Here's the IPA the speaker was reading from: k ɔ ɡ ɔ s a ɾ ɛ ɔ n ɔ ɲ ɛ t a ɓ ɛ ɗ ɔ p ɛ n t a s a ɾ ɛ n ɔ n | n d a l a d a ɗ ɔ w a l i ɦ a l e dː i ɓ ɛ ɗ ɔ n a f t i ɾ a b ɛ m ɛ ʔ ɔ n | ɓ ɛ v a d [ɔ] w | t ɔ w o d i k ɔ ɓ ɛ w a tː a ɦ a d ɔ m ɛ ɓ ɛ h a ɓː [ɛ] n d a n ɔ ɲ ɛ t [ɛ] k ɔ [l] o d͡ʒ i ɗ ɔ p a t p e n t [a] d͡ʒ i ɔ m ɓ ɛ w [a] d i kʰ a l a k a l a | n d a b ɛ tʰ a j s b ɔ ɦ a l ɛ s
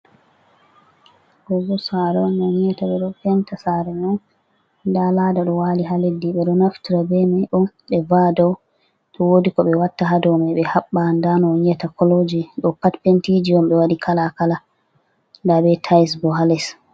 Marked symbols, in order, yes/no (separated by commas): yes, no, no, yes, no, yes